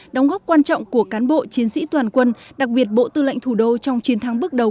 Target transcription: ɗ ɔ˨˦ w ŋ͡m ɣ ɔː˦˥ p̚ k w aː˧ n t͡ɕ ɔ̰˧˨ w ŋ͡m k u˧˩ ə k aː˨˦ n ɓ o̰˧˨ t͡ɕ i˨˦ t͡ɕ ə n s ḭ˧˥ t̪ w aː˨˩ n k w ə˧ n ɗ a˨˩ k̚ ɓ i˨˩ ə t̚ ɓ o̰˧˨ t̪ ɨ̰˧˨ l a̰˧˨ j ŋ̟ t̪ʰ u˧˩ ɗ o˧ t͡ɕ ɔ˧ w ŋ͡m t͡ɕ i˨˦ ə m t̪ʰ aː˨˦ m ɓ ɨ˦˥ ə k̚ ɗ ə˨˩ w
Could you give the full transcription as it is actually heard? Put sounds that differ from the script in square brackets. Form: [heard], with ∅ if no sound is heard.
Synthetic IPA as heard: ɗ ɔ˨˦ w ŋ͡m ɣ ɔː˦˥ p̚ k w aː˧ n t͡ɕ ɔ̰˧˨ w ŋ͡m k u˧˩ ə k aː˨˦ n ɓ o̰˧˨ t͡ɕ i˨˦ [∅] ə n s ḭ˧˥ t̪ w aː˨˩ n k w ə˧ n ɗ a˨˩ k̚ ɓ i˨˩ ə t̚ ɓ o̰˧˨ t̪ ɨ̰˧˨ l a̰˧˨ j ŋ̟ t̪ʰ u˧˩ ɗ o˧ t͡ɕ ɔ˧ w ŋ͡m t͡ɕ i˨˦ ə [n] t̪ʰ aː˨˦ [ŋ] ɓ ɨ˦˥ ə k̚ ɗ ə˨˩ w